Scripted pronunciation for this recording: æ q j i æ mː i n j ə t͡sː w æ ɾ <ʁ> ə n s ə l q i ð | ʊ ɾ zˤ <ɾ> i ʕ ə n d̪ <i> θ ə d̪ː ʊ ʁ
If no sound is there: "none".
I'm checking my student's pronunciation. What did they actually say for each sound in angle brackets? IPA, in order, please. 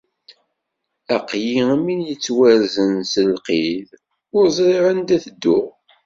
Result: z, ɾ, æ

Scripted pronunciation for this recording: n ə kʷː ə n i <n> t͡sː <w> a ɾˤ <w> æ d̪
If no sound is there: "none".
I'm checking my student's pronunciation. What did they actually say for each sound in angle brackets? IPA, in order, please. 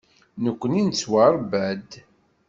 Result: n, w, b

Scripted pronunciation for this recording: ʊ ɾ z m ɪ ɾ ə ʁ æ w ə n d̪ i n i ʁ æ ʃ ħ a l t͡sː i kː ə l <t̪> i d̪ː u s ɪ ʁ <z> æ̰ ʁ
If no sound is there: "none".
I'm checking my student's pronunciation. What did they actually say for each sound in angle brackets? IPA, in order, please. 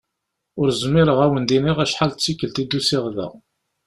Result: t̪, ð

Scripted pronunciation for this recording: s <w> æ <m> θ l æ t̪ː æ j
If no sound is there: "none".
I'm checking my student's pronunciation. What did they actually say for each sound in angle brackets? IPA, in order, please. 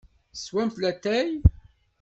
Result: w, m

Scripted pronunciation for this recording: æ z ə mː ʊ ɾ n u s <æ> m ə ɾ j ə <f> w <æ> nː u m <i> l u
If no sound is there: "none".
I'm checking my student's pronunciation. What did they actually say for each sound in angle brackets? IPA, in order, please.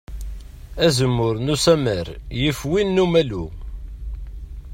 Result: æ, f, i, æ

